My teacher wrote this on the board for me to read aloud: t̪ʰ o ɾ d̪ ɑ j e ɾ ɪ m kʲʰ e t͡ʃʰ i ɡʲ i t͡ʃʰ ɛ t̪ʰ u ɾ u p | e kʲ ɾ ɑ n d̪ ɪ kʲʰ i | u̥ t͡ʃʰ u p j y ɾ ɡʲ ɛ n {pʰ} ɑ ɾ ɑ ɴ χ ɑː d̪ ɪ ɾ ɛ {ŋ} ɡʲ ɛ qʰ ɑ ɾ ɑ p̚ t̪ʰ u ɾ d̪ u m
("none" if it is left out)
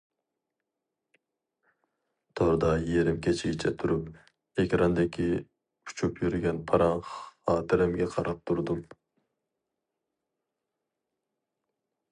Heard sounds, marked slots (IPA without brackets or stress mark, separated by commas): pʰ, m